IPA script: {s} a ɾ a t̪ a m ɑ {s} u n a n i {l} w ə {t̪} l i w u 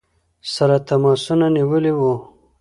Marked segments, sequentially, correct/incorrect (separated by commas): correct, correct, incorrect, incorrect